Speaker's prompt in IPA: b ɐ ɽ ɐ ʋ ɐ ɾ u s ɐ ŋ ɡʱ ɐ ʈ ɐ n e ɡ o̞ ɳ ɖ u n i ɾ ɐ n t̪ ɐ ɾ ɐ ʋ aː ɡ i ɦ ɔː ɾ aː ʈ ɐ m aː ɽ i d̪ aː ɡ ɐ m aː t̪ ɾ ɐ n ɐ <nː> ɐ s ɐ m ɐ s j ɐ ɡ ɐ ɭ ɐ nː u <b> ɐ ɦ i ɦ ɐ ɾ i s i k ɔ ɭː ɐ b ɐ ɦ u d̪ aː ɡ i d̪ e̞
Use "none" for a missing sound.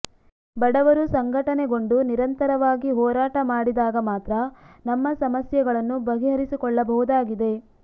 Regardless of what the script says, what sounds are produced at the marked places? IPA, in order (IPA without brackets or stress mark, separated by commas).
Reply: mː, b